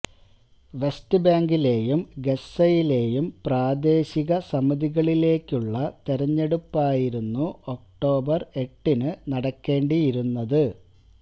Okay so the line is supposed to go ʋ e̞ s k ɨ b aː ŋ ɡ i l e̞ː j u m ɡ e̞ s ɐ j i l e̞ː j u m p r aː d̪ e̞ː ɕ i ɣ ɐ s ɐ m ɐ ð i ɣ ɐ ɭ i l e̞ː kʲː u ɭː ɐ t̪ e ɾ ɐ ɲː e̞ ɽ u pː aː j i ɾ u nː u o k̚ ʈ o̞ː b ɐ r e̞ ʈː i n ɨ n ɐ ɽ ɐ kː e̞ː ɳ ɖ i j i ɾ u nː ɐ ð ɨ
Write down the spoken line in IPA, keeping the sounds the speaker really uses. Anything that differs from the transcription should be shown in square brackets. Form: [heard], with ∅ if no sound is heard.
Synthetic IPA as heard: ʋ e̞ s [t] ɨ b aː ŋ ɡ i l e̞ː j u m ɡ e̞ s ɐ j i l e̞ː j u m p r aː d̪ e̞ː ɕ i ɣ ɐ s ɐ m ɐ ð i ɣ ɐ ɭ i l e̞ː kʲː u ɭː ɐ t̪ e ɾ ɐ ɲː e̞ ɽ u pː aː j i ɾ u nː u o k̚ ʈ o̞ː b ɐ r e̞ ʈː i n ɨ n ɐ ɽ ɐ kː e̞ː ɳ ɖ i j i ɾ u nː ɐ ð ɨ